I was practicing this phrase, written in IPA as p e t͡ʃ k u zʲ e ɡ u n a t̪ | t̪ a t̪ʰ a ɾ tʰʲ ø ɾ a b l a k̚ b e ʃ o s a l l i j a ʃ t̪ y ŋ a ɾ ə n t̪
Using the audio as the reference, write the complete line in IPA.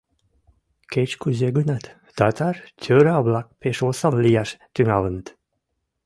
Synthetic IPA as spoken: k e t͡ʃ k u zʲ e ɡ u n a t̪ | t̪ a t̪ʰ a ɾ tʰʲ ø ɾ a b l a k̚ p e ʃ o s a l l i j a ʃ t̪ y ŋ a l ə n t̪

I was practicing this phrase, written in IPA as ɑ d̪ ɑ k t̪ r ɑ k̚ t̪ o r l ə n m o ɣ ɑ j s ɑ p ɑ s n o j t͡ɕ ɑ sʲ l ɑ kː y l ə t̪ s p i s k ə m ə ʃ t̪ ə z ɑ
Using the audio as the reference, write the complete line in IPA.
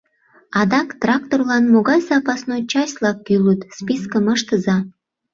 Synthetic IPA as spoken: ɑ d̪ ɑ k t̪ r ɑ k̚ t̪ o r l ɑ n m o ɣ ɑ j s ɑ p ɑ s n o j t͡ɕ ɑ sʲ l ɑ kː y l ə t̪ s p i s k ə m ə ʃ t̪ ə z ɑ

